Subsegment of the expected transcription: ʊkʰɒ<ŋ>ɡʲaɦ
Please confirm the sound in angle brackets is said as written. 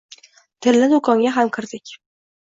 yes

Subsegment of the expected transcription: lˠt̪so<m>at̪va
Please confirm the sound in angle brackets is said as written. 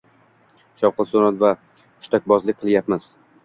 no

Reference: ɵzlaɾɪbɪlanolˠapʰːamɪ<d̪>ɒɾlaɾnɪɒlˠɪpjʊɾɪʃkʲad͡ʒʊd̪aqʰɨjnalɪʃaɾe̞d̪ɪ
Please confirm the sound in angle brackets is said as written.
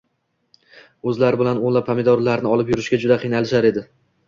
yes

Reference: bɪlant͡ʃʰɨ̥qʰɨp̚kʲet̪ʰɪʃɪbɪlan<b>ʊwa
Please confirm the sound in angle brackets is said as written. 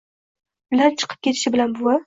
yes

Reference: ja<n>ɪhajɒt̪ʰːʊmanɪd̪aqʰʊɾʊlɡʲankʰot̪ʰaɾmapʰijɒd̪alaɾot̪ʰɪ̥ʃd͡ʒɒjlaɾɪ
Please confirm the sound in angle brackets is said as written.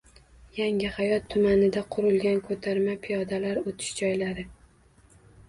no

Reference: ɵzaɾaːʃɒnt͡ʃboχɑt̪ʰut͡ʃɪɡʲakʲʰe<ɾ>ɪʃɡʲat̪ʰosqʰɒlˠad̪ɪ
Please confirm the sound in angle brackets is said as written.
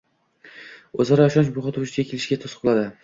no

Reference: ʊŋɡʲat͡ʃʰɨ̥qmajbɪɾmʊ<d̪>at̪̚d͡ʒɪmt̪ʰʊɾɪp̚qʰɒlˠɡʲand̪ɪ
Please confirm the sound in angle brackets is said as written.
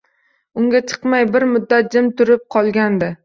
no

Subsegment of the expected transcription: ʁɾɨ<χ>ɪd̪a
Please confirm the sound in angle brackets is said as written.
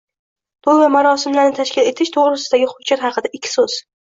no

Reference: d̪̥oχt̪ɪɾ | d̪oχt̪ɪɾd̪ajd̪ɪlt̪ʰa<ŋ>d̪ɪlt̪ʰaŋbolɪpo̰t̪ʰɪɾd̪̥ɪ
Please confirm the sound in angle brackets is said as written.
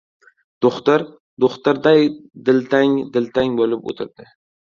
yes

